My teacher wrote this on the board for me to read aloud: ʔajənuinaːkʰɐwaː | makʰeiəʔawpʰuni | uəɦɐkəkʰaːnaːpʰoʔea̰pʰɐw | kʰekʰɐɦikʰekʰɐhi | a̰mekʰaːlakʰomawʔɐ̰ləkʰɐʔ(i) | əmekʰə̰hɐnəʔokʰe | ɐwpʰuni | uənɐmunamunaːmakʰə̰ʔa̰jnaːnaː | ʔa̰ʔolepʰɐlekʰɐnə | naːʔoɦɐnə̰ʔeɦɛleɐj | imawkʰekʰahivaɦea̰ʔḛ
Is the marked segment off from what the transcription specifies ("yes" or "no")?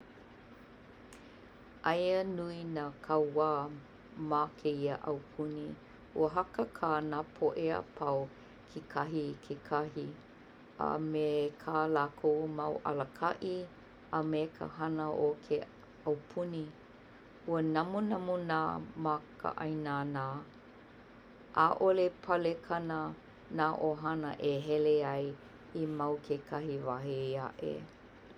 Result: no